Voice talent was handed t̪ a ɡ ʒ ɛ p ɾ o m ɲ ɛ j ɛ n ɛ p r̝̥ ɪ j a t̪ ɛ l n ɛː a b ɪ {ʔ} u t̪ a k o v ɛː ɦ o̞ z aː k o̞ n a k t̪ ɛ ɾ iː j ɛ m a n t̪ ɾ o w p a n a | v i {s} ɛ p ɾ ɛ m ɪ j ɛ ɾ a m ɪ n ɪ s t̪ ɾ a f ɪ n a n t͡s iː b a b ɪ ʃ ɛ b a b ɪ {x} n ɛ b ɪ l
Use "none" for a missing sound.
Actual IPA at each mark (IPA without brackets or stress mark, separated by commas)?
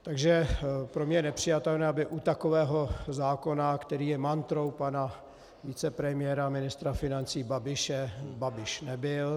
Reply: ʔ, t͡s, ʃ